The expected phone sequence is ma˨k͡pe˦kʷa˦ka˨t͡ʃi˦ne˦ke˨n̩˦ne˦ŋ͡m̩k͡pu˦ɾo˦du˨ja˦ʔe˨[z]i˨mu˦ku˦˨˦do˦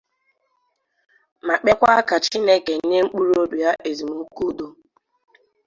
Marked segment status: correct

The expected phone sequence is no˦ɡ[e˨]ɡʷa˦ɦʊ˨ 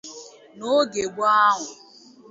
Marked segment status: correct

